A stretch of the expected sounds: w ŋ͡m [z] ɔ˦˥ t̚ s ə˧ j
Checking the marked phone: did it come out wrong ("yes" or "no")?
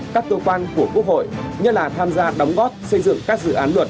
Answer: yes